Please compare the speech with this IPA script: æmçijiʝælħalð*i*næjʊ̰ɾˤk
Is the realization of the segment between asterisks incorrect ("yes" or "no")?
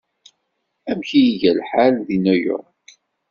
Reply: no